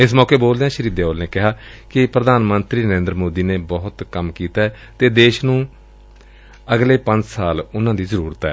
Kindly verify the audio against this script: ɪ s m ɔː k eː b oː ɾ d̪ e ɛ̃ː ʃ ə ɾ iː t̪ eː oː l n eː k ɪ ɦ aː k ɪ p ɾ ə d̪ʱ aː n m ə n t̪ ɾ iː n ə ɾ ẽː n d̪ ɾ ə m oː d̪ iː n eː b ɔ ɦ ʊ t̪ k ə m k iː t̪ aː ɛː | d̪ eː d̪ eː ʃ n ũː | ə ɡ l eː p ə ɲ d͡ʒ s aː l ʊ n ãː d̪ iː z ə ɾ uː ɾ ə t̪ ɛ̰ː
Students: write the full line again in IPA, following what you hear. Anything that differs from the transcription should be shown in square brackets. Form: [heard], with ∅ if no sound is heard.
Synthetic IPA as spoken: ɪ s m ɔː k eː b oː [l] d̪ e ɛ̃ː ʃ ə ɾ iː [d̪] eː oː l n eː k ɪ ɦ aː k ɪ p ɾ ə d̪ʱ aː n m ə n t̪ ɾ iː n ə ɾ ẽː n d̪ ɾ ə m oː d̪ iː n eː b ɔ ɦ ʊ t̪ k ə m k iː t̪ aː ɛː | [t̪] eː d̪ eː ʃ n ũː | ə ɡ l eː p ə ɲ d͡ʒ s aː l ʊ n ãː d̪ iː z ə ɾ uː ɾ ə t̪ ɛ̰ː